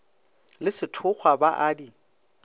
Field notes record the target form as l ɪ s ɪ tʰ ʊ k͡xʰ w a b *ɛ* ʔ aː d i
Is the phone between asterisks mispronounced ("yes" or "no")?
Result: yes